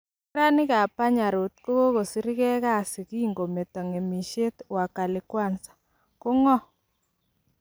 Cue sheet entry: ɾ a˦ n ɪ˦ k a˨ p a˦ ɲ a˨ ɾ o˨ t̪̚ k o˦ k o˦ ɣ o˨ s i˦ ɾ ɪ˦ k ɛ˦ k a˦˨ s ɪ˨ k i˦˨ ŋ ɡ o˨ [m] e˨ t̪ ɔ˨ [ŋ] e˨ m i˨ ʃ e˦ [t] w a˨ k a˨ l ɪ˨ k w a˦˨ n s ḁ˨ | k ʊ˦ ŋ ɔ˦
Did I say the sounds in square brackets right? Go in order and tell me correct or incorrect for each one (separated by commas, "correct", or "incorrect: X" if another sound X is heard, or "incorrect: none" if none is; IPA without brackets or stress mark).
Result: correct, correct, correct